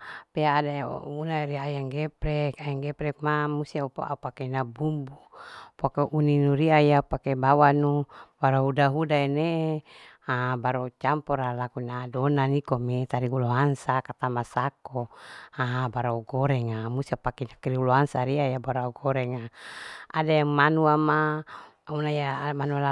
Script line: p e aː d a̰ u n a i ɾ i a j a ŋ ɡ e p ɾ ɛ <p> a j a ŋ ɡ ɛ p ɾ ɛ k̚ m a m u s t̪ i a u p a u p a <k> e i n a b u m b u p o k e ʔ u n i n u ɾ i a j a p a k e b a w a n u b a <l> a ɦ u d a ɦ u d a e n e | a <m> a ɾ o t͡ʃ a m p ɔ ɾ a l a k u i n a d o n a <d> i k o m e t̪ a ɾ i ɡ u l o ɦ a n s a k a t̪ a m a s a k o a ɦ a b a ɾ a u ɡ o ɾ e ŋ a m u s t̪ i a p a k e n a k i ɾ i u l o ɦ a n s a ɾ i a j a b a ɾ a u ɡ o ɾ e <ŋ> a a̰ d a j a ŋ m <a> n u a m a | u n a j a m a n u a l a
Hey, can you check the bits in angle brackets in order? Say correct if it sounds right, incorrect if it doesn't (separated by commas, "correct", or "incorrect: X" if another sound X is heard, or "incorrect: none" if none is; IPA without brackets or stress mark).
incorrect: k, correct, incorrect: ɾ, incorrect: b, incorrect: n, correct, correct